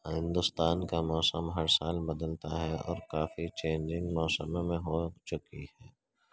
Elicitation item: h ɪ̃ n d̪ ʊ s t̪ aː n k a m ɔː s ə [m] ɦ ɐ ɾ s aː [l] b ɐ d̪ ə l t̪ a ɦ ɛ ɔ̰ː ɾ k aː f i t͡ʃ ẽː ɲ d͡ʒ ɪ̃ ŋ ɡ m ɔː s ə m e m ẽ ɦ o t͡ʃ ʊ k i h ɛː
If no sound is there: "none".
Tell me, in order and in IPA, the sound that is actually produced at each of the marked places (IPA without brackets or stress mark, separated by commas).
m, l